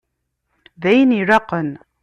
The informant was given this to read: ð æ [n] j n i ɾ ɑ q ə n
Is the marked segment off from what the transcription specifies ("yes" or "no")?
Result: yes